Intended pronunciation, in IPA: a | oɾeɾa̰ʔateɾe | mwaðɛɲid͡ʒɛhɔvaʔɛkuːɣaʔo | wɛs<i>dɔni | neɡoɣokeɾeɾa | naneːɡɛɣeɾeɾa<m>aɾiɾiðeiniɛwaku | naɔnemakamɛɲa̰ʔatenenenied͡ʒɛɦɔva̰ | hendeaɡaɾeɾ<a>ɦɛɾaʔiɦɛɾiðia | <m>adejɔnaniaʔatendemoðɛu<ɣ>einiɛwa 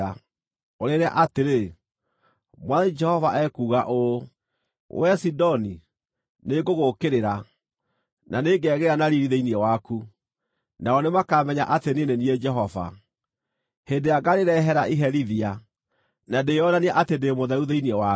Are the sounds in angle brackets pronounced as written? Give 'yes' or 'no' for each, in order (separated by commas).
yes, no, no, no, no